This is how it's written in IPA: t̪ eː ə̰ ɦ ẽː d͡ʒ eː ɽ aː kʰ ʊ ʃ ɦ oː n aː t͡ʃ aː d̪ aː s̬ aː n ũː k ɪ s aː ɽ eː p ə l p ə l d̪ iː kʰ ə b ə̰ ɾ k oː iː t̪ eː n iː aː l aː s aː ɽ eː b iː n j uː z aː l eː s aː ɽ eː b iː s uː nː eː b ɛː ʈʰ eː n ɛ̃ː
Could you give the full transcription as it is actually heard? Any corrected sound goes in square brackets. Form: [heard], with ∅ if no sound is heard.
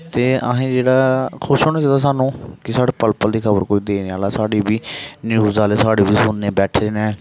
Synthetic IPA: t̪ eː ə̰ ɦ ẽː d͡ʒ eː ɽ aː kʰ ʊ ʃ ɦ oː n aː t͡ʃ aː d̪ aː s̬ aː n ũː k ɪ s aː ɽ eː p ə l p ə l d̪ iː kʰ ə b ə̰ ɾ k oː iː [d̪] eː n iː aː l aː s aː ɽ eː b iː n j uː z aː l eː s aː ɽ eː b iː s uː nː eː b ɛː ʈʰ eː n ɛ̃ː